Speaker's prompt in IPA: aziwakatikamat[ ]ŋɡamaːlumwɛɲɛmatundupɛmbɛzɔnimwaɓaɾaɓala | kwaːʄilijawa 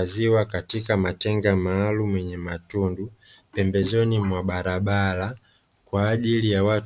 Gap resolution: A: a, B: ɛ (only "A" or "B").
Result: B